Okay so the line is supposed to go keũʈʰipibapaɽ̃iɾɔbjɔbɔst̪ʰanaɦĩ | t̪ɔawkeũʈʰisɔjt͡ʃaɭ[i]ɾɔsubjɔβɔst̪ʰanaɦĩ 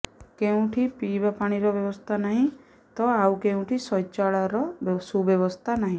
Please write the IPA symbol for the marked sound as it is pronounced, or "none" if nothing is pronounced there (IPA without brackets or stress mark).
a